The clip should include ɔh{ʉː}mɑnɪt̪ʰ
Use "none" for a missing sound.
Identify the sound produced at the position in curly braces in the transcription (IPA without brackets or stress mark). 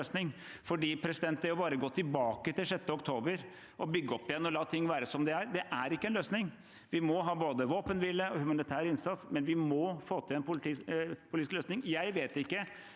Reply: ʉ